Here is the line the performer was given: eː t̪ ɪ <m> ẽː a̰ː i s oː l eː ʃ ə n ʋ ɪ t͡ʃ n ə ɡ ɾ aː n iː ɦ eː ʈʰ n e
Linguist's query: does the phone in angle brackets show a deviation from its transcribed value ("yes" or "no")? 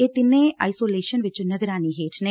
yes